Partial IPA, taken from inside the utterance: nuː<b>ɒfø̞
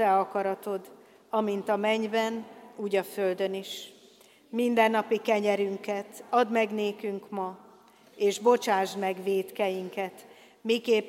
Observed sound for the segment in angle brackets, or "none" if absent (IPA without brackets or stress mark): ɟ